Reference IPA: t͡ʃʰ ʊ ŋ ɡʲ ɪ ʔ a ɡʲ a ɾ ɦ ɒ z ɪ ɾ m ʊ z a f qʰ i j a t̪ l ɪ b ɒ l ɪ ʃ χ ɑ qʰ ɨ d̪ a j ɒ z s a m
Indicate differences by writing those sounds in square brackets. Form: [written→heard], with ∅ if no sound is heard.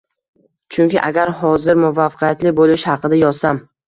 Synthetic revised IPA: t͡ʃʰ ʊ ŋ [ɡʲ→kʲ] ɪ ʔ a ɡʲ a ɾ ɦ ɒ z ɪ ɾ m ʊ [z→v] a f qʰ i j a t̪ l ɪ b [ɒ→o] l ɪ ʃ [χ→h] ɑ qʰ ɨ d̪ a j ɒ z s a m

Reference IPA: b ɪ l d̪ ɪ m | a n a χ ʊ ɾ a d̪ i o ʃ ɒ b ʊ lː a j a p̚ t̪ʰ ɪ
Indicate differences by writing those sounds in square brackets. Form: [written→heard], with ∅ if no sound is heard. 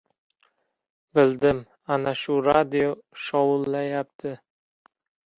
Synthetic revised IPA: b ɪ l d̪ ɪ m | a n a [χ→ʃ] ʊ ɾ a d̪ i o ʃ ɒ [b→w] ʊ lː a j a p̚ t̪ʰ ɪ

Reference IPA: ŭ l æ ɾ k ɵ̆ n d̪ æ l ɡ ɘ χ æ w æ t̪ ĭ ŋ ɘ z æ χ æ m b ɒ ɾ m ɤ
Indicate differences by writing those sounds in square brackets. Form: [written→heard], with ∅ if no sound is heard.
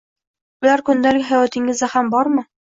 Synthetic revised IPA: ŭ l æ ɾ k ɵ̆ n d̪ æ l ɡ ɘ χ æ w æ t̪ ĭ ŋ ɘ z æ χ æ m b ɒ ɾ m ɤ

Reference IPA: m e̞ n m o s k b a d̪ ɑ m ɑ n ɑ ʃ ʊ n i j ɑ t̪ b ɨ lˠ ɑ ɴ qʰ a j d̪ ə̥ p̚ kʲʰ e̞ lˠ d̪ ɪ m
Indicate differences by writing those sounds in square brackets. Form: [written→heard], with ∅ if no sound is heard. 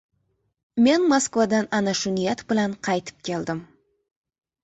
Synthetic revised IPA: m e̞ n m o s k [b→v] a d̪ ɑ [m→n] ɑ n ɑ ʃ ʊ n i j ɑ t̪ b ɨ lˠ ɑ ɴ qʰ [a→ɑ] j [d̪→t̪] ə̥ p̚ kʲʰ e̞ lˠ d̪ ɪ m

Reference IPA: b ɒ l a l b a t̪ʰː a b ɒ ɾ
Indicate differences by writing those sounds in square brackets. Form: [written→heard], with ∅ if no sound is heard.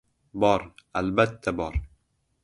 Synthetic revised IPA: b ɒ [l→ɾ] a l b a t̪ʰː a b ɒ ɾ

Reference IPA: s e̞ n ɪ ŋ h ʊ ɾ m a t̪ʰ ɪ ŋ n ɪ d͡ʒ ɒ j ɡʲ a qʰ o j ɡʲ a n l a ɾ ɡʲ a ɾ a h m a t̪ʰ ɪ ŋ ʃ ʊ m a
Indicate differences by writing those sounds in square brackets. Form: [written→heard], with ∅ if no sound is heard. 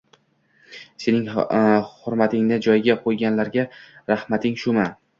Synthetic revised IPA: s e̞ n ɪ ŋ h ʊ ɾ m a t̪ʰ ɪ ŋ n ɪ d͡ʒ ɒ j ɡʲ a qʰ o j ɡʲ a n l a ɾ ɡʲ a ɾ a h m a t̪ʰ ɪ ŋ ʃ ʊ m a

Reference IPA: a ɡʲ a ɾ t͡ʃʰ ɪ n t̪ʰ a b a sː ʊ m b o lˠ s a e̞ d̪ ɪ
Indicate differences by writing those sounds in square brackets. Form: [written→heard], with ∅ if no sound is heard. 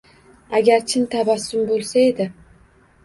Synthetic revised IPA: a ɡʲ a ɾ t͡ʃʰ ɪ n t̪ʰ a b a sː ʊ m b o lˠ s a e̞ d̪ ɪ

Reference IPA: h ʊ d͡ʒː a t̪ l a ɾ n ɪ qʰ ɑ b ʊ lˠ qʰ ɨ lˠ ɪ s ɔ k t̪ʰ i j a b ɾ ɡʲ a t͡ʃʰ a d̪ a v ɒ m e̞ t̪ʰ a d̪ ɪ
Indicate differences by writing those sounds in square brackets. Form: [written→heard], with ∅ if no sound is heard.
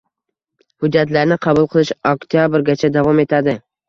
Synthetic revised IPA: h ʊ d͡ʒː a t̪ l a ɾ n ɪ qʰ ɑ b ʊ lˠ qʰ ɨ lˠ ɪ [s→ʃ] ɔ k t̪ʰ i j a b ɾ ɡʲ a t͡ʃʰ a d̪ a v ɒ m e̞ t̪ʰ a d̪ ɪ

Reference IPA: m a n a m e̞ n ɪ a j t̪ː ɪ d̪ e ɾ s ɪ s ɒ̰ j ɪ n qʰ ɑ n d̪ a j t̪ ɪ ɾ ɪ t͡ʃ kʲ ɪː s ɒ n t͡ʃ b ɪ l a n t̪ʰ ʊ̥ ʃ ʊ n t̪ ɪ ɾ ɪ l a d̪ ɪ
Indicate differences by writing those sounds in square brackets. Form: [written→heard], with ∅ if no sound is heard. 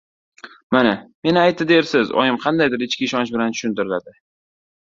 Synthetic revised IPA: m a n a m e̞ n ɪ a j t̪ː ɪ d̪ e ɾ s ɪ [s→z] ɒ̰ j ɪ [n→m] qʰ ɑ n d̪ a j [t̪→d̪] ɪ ɾ ɪ t͡ʃ kʲ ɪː [s→ʃ] ɒ n t͡ʃ b ɪ l a n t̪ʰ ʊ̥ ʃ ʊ n t̪ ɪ ɾ ɪ l a d̪ ɪ

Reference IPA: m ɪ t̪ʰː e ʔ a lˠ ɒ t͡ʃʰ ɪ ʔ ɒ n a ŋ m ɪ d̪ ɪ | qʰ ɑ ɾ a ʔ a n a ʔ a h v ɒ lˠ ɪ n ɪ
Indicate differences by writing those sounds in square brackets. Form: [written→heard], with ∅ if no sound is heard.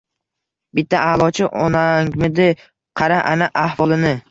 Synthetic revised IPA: [m→b] ɪ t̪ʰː [e→a] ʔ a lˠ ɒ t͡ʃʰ ɪ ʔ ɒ n a ŋ m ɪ d̪ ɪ | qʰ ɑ ɾ a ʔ a n a ʔ a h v ɒ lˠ ɪ n ɪ

